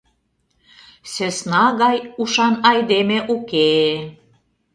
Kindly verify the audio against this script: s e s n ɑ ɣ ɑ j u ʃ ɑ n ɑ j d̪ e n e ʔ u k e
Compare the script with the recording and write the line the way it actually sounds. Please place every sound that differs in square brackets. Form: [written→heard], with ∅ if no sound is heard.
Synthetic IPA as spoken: s e s n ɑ ɣ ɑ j u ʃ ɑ n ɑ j d̪ e [n→m] e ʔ u k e